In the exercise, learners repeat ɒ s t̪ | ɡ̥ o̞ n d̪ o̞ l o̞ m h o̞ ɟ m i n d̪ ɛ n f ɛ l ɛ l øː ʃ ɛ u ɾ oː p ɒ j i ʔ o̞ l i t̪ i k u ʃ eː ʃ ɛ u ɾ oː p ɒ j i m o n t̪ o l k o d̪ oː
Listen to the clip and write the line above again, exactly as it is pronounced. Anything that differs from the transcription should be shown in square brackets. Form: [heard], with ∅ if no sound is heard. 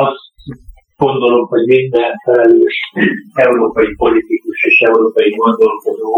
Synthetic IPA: ɒ s t̪ | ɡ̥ o̞ n d̪ o̞ l o̞ m h o̞ ɟ m i n d̪ ɛ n f ɛ l ɛ l øː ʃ ɛ u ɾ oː p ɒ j i [p] o̞ l i t̪ i k u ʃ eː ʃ ɛ u ɾ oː p ɒ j i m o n [d̪] o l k o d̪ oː